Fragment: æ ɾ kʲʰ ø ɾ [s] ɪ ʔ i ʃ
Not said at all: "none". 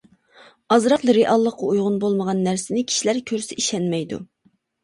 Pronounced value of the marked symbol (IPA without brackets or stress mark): s